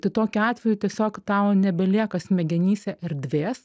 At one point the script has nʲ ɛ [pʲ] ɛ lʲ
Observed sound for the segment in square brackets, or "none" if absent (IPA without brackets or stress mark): bʲ